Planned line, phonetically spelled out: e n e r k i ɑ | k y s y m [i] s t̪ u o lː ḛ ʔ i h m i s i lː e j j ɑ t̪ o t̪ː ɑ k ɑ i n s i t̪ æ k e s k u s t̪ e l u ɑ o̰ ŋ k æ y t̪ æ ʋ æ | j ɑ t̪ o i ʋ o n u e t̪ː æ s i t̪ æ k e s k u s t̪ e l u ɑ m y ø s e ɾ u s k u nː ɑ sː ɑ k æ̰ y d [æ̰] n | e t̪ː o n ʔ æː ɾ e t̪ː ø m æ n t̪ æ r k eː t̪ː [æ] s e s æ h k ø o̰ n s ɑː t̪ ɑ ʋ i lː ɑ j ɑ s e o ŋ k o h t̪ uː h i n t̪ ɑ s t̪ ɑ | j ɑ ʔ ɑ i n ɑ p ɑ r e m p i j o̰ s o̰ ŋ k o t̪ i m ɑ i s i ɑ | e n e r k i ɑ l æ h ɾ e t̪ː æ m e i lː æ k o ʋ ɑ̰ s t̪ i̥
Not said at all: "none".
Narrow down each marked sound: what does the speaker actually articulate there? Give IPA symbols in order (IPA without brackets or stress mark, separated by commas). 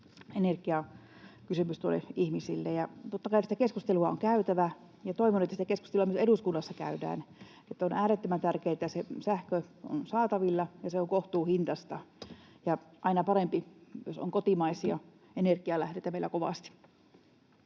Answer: y, æ̰ː, æ